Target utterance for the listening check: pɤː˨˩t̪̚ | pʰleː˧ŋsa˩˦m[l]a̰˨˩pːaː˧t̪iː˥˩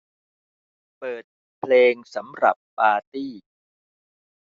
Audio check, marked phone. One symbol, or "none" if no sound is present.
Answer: ɾ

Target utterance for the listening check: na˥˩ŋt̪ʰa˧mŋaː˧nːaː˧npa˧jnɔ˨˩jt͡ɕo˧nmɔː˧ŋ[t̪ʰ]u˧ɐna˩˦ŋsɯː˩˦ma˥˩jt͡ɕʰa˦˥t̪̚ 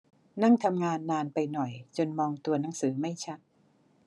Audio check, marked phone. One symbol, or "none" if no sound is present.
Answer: t̪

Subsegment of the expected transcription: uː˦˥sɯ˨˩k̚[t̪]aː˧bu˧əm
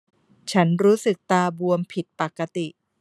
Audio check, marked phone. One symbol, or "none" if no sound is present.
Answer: t̪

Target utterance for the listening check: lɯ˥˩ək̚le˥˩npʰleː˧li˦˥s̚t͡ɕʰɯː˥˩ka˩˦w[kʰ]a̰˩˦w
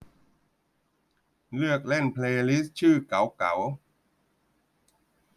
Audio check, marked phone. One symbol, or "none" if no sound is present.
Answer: k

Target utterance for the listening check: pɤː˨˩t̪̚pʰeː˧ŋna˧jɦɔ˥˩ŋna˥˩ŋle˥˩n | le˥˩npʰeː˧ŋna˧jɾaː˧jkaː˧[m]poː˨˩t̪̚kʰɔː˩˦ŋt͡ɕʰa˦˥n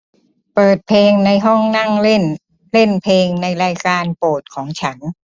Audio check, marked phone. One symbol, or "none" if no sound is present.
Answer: n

